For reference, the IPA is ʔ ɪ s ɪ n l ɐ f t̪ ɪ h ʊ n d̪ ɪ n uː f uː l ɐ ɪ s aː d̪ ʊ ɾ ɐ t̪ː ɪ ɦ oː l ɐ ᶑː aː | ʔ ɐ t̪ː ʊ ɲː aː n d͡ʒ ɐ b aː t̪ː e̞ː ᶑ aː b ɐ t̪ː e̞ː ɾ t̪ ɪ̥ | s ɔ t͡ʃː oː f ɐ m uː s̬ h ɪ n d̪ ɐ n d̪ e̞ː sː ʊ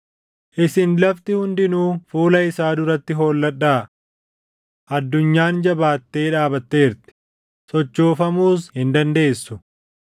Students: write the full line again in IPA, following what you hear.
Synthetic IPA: ʔ ɪ s ɪ n l ɐ f t̪ ɪ h ʊ n d̪ ɪ n uː f uː l ɐ ɪ s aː d̪ ʊ ɾ ɐ t̪ː ɪ ɦ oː lː ɐ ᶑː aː | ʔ ɐ d̪ː ʊ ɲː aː n d͡ʒ ɐ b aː t̪ː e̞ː ᶑ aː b ɐ t̪ː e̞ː ɾ t̪ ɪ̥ | s ɔ t͡ʃː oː f ɐ m uː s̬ h ɪ n d̪ ɐ n d̪ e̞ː sː ʊ